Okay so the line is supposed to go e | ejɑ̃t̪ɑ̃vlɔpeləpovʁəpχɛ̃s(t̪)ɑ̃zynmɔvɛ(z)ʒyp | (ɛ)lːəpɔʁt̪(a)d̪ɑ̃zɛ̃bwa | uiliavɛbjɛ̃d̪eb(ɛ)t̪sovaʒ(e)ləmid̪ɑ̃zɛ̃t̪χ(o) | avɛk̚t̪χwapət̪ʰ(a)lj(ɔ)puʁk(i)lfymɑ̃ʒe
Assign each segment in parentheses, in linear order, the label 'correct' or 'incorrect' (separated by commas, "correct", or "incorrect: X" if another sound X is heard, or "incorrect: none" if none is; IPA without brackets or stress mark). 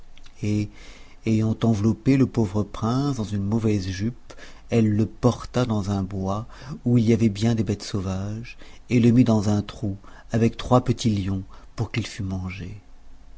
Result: incorrect: d̪, correct, correct, correct, correct, correct, incorrect: u, incorrect: i, incorrect: ɔ̃, correct